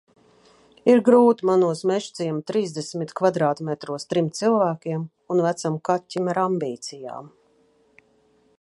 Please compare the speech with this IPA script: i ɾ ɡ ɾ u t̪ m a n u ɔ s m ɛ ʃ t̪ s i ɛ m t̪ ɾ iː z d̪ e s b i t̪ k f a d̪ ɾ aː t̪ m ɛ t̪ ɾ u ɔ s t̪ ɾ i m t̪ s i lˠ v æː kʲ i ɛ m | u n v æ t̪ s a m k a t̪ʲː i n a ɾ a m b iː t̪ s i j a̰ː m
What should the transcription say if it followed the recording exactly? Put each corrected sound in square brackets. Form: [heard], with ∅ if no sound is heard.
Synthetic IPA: i ɾ ɡ ɾ [uː] t̪ m a n u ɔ s m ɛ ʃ t̪ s i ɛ m t̪ ɾ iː z d̪ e s [m] i t̪ k [v] a d̪ ɾ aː t̪ m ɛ t̪ ɾ u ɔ s t̪ ɾ i m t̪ s i lˠ v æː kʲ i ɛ m | u n v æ t̪ s a m k a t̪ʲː i [m] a ɾ a m b iː t̪ s i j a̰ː m